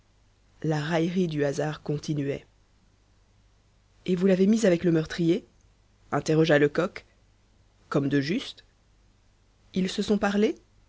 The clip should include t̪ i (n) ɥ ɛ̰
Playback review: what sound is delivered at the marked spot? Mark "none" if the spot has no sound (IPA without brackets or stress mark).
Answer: n